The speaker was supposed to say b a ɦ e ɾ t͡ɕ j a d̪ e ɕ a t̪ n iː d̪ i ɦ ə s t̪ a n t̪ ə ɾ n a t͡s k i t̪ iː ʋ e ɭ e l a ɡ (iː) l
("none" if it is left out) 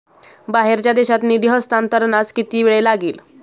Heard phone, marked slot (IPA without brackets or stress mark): iː